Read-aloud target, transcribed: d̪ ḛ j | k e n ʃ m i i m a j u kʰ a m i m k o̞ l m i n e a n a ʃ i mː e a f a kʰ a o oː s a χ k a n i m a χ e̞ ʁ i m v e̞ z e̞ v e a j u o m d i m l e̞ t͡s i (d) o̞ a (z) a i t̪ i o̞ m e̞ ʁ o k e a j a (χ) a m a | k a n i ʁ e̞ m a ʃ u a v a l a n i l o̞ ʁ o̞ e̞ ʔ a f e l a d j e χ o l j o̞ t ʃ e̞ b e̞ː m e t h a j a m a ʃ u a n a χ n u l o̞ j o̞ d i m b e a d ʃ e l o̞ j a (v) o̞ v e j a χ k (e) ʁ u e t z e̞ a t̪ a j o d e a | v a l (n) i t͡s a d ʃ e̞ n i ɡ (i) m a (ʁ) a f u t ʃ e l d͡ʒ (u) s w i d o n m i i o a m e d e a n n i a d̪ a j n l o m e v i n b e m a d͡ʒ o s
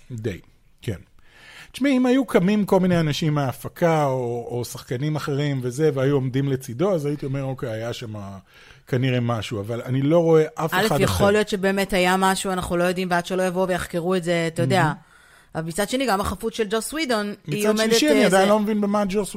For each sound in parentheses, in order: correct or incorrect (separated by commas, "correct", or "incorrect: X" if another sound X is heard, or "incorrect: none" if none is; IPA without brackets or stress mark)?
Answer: correct, correct, incorrect: ʃ, correct, correct, incorrect: m, incorrect: a, incorrect: χ, incorrect: o